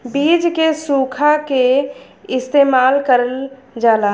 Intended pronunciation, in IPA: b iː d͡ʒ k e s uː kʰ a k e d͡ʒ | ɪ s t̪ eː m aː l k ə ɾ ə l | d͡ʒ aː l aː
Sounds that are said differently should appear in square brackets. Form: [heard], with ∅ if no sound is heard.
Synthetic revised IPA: b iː d͡ʒ k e s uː kʰ a k e [∅] | ɪ s t̪ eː m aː l k ə ɾ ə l | d͡ʒ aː l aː